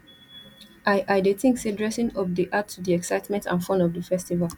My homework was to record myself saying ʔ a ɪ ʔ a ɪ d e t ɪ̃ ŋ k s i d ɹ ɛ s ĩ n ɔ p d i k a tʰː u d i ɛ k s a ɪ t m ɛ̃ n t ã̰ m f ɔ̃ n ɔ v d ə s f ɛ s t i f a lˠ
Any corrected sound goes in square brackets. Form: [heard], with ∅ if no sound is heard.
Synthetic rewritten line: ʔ a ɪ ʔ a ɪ d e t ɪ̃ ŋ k s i d ɹ ɛ s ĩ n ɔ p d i [ʔ] a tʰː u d i ɛ k s a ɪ t m ɛ̃ n t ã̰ [n] f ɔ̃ n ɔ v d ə [∅] f ɛ s t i [v] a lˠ